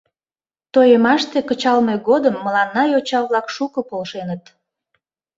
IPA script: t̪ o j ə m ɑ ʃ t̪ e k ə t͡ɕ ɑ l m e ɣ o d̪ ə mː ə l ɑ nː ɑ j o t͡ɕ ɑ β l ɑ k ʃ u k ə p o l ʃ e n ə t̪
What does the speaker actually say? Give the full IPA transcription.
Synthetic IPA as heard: t̪ o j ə m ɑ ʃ t̪ e k ə t͡ɕ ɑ l m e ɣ o d̪ ə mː ə l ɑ nː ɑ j o t͡ɕ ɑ β l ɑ k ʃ u k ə p o l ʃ e n ə t̪